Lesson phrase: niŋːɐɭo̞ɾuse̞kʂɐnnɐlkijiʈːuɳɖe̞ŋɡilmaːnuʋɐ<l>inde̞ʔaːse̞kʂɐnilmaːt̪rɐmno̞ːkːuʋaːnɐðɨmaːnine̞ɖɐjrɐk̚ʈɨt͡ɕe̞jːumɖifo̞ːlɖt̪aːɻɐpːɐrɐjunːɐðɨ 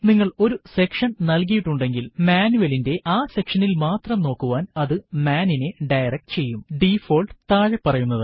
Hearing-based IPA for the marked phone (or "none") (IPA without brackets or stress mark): l